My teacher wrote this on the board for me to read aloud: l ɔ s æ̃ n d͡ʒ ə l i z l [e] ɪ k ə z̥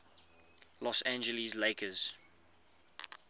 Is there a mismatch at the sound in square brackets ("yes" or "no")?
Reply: no